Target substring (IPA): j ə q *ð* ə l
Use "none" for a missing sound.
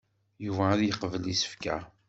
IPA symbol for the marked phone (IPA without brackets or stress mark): v